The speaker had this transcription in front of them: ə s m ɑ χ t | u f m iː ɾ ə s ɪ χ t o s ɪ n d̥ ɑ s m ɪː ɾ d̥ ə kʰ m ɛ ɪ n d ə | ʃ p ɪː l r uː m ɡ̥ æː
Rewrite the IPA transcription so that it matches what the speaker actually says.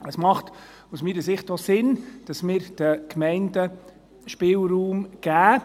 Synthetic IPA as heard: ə s m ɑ χ t | u s m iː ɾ ə s ɪ χ t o s ɪ n d̥ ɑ s m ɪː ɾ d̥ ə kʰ m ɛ ɪ n d ə | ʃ p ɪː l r uː m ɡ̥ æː

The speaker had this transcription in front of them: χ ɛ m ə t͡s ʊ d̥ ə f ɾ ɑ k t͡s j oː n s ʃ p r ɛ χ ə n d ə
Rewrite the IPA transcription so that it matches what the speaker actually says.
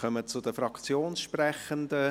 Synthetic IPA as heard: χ œ m ə t͡s ʊ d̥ ə f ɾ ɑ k t͡s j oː n s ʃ p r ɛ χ ə n d ə

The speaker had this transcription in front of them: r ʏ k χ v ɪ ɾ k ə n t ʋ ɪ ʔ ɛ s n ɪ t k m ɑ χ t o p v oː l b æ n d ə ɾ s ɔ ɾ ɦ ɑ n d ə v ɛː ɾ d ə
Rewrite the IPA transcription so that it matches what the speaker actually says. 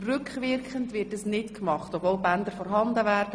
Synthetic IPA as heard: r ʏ k χ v ɪ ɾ k ə n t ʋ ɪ t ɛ s n ɪ t k m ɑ χ t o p v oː l b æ n d ə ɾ f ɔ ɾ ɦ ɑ n d ə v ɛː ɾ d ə

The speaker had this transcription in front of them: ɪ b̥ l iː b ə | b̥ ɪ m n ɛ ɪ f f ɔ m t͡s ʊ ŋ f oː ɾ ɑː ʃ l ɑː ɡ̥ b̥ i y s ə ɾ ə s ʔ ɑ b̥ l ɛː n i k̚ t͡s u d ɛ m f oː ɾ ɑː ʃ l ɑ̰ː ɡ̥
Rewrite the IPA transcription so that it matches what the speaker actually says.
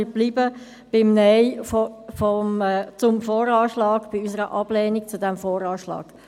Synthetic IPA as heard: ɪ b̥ l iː b ə | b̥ ɪ m n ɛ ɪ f f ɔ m t͡s ʊ m f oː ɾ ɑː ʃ l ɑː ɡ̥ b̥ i y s ə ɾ ə ʔ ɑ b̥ l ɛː n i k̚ t͡s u d ɛ m f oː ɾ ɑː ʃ l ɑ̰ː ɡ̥

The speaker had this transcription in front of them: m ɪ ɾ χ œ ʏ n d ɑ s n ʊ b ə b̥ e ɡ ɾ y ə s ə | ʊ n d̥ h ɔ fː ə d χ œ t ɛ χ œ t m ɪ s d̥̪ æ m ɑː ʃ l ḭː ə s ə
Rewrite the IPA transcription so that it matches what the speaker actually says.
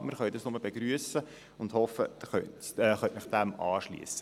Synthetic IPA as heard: m ɪ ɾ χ œ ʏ d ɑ s n ʊ m ə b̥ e ɡ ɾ y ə s ə | ʊ n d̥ h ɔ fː ə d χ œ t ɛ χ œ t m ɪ χ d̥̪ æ m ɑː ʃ l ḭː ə s ə

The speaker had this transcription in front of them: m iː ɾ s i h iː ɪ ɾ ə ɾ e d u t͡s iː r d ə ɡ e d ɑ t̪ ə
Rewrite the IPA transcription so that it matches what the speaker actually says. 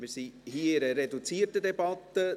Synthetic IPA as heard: m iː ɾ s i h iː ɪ ɾ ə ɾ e d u t͡s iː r t ə d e b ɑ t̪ ə

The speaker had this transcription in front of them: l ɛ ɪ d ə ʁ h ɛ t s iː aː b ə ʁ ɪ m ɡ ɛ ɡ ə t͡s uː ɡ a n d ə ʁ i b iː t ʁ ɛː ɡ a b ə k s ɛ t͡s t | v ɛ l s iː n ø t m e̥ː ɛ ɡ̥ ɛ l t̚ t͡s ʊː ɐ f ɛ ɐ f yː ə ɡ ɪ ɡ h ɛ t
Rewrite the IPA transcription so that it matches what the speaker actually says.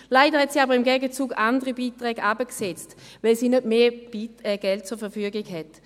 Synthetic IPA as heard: l a ɪ d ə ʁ h ɛ t s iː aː b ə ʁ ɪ m ɡ ɛ ɡ ə t͡s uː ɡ a n d ə ʁ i b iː t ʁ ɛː ɡ a b ə k s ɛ t͡s t | v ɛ l s iː n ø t m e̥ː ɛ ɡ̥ ɛ l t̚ t͡s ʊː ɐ f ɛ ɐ f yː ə ɡ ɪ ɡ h ɛ t

